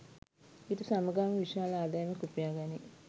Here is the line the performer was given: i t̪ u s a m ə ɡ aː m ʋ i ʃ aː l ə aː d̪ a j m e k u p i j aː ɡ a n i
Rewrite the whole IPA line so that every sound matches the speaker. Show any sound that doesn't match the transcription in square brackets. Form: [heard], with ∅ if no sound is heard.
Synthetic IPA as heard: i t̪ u s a m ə ɡ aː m ʋ i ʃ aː l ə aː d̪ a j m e k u p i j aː ɡ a n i